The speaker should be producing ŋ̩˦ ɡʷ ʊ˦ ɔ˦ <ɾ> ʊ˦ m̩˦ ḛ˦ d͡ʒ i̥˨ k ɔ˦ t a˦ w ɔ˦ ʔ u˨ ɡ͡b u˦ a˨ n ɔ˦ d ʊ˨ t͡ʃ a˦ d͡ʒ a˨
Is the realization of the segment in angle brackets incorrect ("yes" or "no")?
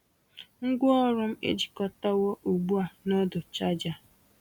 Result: no